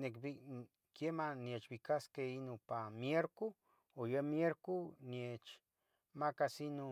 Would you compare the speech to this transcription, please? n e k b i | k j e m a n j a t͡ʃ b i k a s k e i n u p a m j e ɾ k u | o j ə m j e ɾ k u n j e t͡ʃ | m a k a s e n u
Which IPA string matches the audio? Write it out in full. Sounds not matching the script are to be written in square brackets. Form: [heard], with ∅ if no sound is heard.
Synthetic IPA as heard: n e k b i | k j e m a n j [e] t͡ʃ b i k a s k e i n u p a m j e ɾ k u | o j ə m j e ɾ k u n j e t͡ʃ | m a k a s [i] n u